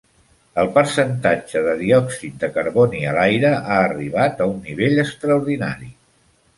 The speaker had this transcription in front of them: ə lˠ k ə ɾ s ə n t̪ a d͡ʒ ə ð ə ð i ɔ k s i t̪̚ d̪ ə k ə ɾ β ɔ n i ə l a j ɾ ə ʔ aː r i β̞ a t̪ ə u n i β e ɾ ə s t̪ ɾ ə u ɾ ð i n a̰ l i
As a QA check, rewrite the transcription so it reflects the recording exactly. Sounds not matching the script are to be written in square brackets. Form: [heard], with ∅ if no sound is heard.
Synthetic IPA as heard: ə lˠ [p] ə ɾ s ə n t̪ a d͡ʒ ə ð ə ð i ɔ k s i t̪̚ d̪ ə k ə ɾ β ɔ n i ə l a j ɾ ə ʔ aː r i β̞ a t̪ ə u [nː] i β e [ʎ] ə s t̪ ɾ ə u ɾ ð i n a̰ [ɾ] i

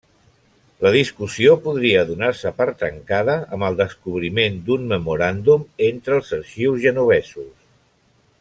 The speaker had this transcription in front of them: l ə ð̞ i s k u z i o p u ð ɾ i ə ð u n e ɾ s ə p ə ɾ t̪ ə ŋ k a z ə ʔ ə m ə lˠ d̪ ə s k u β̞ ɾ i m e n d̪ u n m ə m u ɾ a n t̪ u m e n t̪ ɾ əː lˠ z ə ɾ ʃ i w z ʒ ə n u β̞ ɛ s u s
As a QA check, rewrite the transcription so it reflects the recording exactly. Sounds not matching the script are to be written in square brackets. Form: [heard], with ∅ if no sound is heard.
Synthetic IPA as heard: l ə ð̞ i s k u [s] i o p u ð ɾ i ə ð u n [a] ɾ s ə p ə ɾ t̪ ə ŋ k a [ð] ə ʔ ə m ə lˠ d̪ ə s k u β̞ ɾ i m e n d̪ u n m ə m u ɾ a n [d̪] u m e n t̪ ɾ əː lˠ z ə ɾ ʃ i w z ʒ ə n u β̞ ɛ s u s

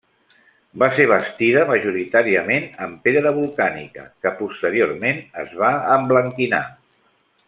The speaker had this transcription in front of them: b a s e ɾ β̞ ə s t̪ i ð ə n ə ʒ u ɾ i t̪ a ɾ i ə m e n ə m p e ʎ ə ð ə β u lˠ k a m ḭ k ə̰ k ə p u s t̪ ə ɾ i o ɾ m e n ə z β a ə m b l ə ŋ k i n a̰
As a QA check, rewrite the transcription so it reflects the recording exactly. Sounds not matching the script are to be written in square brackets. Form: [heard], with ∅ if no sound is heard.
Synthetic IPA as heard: b a s e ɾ β̞ ə s t̪ i ð ə [m] ə ʒ u ɾ i t̪ a ɾ i ə m e n ə m p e [ɾ] ə ð ə β u lˠ k a [n] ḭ k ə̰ k ə p u s t̪ ə ɾ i o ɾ m e n ə z β a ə m b l ə ŋ k i n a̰

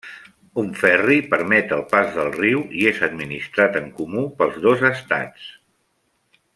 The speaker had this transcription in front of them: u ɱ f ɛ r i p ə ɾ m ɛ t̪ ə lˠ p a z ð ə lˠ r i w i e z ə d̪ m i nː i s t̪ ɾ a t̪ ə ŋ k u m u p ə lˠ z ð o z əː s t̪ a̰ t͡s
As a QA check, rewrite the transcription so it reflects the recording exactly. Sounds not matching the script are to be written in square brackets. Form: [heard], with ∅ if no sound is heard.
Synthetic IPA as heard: u ɱ f ɛ r i p ə ɾ m ɛ t̪ ə lˠ p a z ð ə lˠ r i w i e z ə d̪ m i [n] i s t̪ ɾ a t̪ ə ŋ k u m u p ə lˠ z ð o z [ə] s t̪ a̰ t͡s

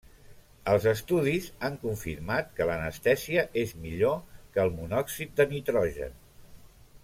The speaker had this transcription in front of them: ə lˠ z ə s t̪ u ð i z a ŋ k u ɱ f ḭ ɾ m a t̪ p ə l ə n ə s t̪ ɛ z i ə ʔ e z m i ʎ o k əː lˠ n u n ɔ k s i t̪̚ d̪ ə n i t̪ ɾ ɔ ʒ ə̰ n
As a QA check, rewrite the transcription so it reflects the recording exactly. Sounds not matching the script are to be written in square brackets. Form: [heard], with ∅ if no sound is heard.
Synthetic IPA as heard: ə lˠ z ə s t̪ u ð i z a ŋ k u ɱ f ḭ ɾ m a t̪ [k] ə l ə n ə s t̪ ɛ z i ə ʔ e z m i ʎ o k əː lˠ [m] u n ɔ k s i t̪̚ d̪ ə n i t̪ ɾ ɔ ʒ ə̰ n

